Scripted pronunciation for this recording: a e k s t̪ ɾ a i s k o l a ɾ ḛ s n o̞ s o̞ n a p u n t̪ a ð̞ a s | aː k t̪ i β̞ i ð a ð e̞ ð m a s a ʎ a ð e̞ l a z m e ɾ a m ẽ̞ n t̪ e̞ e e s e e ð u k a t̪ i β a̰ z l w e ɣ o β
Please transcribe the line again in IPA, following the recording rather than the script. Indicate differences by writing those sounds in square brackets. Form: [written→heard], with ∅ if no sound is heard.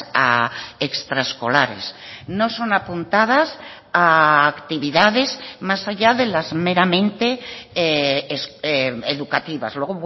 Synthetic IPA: a e k s t̪ ɾ a [i→e] s k o l a ɾ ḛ s n o̞ s o̞ n a p u n t̪ a ð̞ a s | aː k t̪ i β̞ i ð a ð e̞ [ð→z] m a s a ʎ a ð e̞ l a z m e ɾ a m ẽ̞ n t̪ e̞ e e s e e ð u k a t̪ i β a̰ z l w e ɣ o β